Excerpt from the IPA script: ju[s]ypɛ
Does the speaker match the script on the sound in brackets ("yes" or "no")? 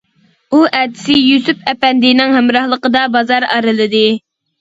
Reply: yes